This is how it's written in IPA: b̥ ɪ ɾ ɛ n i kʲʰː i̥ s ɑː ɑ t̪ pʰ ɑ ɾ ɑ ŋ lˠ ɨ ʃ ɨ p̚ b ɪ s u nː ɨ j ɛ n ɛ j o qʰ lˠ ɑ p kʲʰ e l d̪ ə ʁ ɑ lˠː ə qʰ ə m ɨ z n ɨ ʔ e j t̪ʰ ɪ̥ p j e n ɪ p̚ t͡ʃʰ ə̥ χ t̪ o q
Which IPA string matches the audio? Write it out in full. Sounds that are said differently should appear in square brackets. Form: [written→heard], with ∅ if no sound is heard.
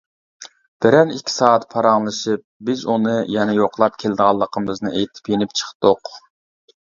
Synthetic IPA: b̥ ɪ ɾ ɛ n i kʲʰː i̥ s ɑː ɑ t̪ pʰ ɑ ɾ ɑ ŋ lˠ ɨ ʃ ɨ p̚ b ɪ [s→z] u [nː→n] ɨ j ɛ n ɛ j o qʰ lˠ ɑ p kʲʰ e l d̪ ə ʁ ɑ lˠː ə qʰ ə m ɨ z n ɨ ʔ e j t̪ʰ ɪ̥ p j e n ɪ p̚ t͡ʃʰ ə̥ χ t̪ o q